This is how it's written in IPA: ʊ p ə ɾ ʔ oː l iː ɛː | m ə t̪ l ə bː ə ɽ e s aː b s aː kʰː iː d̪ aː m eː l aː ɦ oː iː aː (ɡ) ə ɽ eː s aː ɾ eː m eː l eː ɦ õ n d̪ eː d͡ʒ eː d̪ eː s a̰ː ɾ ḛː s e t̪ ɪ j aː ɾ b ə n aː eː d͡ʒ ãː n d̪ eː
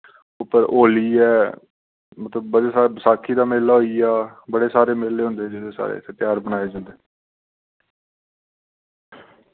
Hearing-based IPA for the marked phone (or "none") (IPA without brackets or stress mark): b